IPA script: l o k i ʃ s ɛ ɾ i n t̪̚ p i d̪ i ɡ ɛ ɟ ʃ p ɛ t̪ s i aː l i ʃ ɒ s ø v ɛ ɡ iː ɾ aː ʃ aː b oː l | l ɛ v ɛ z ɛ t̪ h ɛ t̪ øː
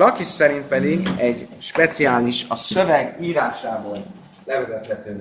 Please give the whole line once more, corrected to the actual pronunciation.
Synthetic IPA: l ɒ k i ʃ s ɛ ɾ i n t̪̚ p ɛ d̪ i ɡ ɛ ɟ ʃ p ɛ t̪ s i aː l i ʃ ɒ s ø v ɛ ɡ iː ɾ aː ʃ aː b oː l | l ɛ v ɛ z ɛ t̪ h ɛ t̪ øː